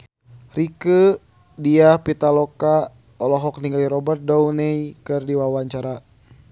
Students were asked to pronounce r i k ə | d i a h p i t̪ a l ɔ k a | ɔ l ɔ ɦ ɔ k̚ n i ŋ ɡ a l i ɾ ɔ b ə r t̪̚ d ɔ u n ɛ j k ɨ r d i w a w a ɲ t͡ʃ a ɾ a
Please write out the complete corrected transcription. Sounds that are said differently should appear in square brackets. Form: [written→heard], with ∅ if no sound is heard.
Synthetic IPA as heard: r i k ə | d i a h p i t̪ a l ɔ k a | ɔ l ɔ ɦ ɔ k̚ n i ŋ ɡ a l i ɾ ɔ b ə r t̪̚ d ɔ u n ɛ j k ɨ r d i w a w a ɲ t͡ʃ a ɾ a